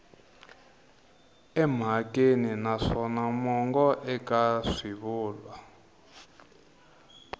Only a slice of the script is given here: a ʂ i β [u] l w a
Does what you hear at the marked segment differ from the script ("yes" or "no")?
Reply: yes